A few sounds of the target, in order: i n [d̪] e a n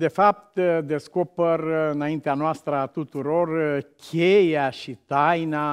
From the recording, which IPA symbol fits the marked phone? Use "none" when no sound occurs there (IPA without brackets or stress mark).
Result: t̪